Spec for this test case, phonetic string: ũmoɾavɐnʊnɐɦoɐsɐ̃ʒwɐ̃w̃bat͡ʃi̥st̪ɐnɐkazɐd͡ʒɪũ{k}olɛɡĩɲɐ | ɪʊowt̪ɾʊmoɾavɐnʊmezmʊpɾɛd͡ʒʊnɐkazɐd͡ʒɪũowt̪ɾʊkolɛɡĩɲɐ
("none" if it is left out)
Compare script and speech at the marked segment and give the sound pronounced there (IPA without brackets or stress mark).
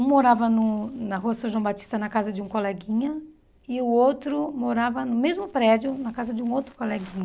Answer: k